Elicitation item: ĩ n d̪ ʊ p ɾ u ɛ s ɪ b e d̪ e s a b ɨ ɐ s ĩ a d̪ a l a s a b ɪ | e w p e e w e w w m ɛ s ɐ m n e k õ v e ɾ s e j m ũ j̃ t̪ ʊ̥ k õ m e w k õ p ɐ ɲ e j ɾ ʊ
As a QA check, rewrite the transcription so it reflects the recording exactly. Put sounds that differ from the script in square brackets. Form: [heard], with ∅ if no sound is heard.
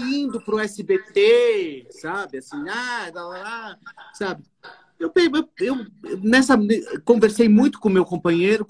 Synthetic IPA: ĩ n d̪ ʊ p ɾ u ɛ s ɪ b e [t̪] e s a b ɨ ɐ s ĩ a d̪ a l a s a b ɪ | e w p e e w e w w [n] ɛ s ɐ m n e k õ v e ɾ s e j m ũ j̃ t̪ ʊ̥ k õ m e w k õ p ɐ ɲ e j ɾ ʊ